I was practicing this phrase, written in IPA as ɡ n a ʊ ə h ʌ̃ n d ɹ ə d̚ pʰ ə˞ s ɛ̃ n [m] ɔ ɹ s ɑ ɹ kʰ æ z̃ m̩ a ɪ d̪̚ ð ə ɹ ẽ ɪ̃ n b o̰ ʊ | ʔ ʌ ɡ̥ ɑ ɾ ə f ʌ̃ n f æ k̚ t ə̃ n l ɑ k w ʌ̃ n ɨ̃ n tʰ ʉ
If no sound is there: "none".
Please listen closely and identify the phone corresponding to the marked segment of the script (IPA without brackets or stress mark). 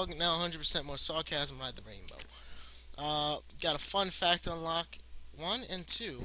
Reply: m